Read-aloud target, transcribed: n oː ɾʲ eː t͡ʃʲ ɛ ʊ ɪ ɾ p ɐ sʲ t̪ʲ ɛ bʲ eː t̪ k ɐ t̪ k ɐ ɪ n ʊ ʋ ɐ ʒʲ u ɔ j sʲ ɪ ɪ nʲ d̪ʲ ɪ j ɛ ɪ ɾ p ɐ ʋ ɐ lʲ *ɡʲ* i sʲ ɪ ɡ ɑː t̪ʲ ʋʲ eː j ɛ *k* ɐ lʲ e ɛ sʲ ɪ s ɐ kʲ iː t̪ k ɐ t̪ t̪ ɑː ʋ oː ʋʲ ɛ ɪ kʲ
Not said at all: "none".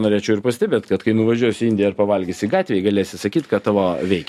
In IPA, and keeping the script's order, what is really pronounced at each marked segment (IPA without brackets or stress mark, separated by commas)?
ɡʲ, ɡ